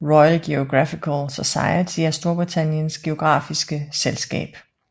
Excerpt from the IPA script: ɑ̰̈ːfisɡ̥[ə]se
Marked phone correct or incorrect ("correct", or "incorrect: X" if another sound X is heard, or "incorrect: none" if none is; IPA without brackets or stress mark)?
correct